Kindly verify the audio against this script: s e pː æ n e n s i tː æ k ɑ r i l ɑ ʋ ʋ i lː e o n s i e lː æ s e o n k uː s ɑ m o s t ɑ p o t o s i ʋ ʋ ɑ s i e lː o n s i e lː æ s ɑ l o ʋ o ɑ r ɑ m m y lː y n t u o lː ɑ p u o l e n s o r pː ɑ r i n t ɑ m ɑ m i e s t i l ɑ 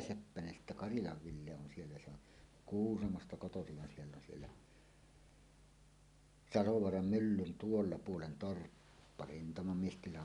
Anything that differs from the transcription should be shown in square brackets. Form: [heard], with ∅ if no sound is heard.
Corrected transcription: s e pː æ n e n s i tː æ k ɑ r i l ɑ ʋ ʋ i lː e o n s i e lː æ s e o n k uː s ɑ m o s t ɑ [k] o t o s i ʋ ʋ ɑ s i e lː o n s i e lː æ s ɑ l o ʋ o ɑ r ɑ m m y lː y n t u o lː ɑ p u o l e n [t] o r pː ɑ r i n t ɑ m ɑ m i e s t i l ɑ